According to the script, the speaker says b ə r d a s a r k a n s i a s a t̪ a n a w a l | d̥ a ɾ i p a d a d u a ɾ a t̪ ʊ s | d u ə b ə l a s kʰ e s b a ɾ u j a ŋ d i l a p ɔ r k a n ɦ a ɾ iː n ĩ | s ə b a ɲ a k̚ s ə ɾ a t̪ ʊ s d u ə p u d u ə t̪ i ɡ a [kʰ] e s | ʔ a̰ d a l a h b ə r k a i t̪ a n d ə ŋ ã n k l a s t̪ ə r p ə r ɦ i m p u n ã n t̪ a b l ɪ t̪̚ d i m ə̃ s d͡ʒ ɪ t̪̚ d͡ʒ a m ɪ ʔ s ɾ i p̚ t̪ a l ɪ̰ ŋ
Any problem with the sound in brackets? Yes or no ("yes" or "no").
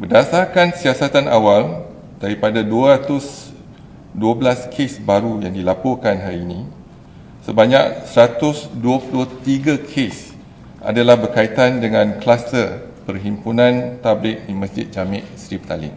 no